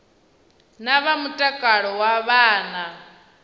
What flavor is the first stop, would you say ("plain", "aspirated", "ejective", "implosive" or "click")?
ejective